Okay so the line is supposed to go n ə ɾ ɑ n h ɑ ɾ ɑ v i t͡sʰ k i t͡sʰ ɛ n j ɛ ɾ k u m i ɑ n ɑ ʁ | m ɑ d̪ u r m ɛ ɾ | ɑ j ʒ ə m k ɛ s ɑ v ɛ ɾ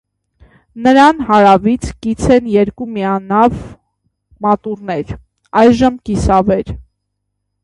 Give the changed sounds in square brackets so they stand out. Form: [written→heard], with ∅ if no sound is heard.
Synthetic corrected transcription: n ə ɾ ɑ n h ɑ ɾ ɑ v i t͡sʰ k i t͡sʰ ɛ n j ɛ ɾ k u m i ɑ n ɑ [ʁ→v] | m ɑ [d̪→t̪] u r [m→n] ɛ ɾ | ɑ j ʒ ə m k [ɛ→i] s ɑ v ɛ ɾ